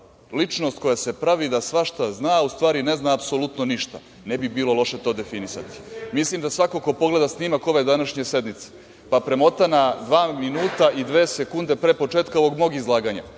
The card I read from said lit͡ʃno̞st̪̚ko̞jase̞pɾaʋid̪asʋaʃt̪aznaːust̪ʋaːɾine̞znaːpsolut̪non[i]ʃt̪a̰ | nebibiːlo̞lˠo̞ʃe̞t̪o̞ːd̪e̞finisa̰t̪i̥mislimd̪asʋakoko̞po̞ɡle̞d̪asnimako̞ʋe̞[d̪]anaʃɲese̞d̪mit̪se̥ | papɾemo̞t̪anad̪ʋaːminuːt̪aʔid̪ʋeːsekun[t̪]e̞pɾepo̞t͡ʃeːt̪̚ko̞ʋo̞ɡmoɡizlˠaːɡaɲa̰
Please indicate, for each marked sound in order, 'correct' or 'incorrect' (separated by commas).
correct, correct, incorrect